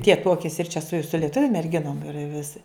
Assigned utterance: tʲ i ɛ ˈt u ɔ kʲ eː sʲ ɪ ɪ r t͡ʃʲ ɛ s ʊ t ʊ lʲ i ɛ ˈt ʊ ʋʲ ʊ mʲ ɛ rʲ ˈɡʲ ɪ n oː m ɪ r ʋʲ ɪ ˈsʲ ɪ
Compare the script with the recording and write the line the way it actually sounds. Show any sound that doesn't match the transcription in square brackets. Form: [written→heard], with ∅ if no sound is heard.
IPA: tʲ i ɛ ˈt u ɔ kʲ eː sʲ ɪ ɪ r t͡ʃʲ ɛ s ʊ [t→s] ʊ lʲ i ɛ ˈt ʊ ʋʲ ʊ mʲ ɛ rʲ ˈɡʲ ɪ n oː m ɪ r ʋʲ ɪ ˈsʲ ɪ